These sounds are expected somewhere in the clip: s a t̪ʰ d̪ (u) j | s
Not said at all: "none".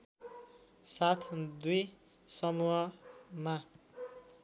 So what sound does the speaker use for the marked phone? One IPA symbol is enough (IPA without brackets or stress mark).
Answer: u